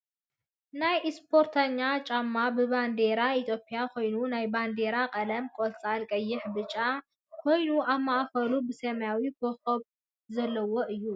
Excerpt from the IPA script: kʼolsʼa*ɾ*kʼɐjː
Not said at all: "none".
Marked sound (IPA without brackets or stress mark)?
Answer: l